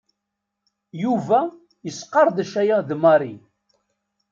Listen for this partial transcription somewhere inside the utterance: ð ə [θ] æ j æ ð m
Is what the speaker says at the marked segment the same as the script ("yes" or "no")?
no